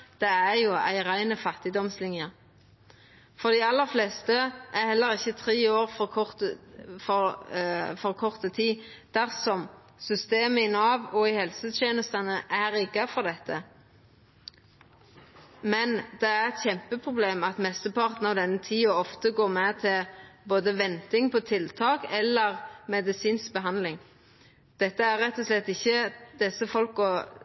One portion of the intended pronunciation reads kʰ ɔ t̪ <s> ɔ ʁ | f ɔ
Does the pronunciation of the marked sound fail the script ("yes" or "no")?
yes